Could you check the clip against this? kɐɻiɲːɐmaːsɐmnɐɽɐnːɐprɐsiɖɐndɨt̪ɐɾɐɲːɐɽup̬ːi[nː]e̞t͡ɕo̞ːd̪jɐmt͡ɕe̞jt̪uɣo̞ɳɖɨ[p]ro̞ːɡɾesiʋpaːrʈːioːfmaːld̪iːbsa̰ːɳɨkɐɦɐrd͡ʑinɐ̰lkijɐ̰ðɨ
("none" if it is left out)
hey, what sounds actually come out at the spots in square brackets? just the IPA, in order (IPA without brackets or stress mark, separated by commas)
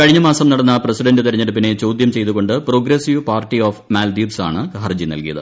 n, p